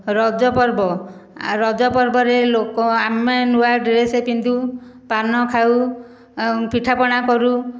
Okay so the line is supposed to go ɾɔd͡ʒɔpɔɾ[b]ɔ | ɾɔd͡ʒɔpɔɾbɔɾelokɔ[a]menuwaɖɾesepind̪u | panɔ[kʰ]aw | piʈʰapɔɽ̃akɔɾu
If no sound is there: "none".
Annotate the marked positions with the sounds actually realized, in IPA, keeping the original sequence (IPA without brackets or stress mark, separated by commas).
b, a, kʰ